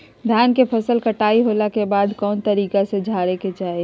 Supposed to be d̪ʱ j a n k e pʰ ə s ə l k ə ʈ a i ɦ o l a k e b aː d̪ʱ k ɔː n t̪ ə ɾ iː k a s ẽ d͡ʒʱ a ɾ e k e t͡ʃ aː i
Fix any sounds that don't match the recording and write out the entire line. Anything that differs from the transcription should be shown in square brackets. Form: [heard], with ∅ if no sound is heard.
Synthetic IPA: d̪ʱ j a n k e pʰ ə s ə l k ə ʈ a i ɦ o l a k e b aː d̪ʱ k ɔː n t̪ ə ɾ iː k a s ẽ d͡ʒʱ a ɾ e k e t͡ʃ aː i